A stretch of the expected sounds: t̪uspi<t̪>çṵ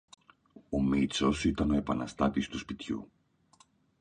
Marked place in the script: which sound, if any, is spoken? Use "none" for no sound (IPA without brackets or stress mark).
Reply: t̪